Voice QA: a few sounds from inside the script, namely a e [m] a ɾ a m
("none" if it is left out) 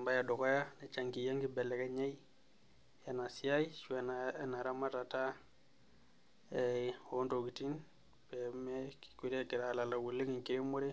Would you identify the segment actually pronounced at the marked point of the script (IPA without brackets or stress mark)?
n